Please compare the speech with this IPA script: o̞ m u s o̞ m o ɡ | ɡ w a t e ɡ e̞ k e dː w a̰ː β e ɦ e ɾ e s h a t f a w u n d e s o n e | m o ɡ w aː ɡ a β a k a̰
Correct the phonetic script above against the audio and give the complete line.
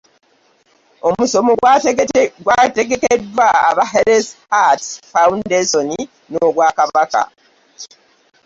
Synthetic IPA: o̞ m u s o̞ m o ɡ | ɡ w a t e ɡ e̞ k e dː w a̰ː β a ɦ e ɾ e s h a t f a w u n d e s o n i | n o ɡ w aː k a β a k a̰